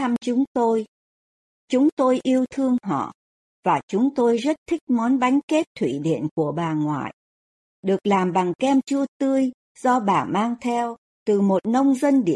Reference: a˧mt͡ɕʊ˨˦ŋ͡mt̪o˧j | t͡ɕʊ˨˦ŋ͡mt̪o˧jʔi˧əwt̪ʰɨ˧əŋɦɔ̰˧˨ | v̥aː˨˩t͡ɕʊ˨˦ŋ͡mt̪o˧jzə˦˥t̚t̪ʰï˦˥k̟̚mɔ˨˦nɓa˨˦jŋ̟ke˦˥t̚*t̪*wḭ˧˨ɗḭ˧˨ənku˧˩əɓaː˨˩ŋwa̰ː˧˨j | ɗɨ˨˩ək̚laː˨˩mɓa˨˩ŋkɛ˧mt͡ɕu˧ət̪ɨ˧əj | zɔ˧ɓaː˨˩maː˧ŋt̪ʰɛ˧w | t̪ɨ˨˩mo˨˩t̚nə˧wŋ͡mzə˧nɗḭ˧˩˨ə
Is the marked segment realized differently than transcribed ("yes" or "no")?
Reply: yes